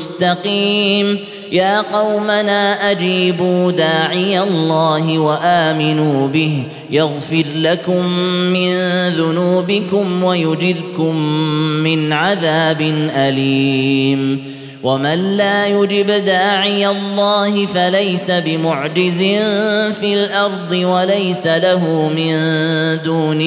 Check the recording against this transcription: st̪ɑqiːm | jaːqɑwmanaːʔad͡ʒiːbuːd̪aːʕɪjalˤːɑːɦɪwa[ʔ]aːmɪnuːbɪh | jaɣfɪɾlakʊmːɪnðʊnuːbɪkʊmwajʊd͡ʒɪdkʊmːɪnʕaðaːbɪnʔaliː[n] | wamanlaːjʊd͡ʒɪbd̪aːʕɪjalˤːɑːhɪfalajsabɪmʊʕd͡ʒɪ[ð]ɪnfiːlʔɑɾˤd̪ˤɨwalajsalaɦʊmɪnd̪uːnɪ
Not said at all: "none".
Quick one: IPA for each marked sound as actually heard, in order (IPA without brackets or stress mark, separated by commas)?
ʔ, m, z